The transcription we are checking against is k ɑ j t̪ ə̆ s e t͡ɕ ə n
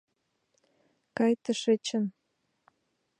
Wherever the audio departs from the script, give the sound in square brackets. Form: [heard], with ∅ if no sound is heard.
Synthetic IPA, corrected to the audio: k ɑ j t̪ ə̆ [ʃ] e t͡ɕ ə n